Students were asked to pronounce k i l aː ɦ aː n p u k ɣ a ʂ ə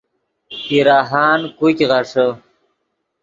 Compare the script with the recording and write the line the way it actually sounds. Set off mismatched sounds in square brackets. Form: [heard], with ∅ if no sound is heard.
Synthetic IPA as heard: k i [ɾ] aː ɦ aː n [k] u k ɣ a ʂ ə

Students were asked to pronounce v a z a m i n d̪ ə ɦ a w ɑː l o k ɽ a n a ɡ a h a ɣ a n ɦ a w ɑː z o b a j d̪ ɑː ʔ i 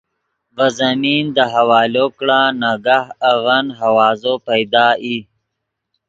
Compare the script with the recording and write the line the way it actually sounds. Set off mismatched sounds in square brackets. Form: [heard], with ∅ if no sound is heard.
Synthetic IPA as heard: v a z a m i n d̪ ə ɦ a w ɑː l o k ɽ a n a ɡ a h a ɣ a n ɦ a w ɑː z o [p] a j d̪ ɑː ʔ i

